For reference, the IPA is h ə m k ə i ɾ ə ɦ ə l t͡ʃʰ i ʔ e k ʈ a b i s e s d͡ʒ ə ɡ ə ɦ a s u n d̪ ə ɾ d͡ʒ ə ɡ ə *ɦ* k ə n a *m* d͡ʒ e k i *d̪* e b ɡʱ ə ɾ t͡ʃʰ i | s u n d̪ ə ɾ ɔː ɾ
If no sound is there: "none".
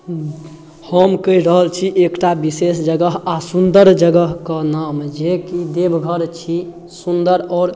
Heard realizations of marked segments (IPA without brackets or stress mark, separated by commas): ɦ, m, d̪